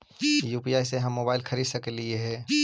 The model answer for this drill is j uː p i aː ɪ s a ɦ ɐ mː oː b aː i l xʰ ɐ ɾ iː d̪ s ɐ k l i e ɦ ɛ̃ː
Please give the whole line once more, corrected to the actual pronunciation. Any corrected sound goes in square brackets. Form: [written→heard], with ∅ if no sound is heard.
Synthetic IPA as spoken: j uː p i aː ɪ s [a→e] ɦ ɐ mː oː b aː [i→ɪ] l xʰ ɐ ɾ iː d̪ s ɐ k l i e ɦ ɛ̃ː